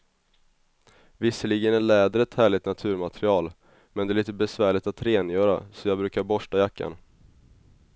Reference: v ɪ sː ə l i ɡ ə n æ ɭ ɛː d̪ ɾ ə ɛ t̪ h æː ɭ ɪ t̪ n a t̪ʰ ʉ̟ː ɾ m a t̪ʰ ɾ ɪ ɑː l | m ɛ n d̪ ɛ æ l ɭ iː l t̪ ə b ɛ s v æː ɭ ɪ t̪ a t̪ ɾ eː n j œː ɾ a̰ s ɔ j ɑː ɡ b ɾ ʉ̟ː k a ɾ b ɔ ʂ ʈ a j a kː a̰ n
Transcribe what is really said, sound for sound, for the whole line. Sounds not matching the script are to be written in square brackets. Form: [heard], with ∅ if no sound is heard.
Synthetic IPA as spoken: v ɪ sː ə l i ɡ ə n æ ɭ ɛː d̪ ɾ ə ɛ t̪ h æː ɭ ɪ t̪ n a t̪ʰ ʉ̟ː ɾ m a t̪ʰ ɾ ɪ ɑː l | m ɛ n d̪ ɛ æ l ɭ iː [∅] t̪ ə b ɛ s v æː ɭ ɪ t̪ a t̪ ɾ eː n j œː ɾ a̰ s ɔ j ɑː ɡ b ɾ ʉ̟ː k a ɾ b ɔ ʂ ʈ a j a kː a̰ n